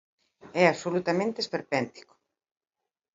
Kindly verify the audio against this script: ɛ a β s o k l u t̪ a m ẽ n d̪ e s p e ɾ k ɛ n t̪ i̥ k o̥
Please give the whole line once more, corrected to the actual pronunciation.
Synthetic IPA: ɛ a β s o l u t̪ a m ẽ n t̪ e s p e ɾ p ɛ n t̪ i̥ k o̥